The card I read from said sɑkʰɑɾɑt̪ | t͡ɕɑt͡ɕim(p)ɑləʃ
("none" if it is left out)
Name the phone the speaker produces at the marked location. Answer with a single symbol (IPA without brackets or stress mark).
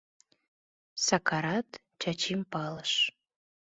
p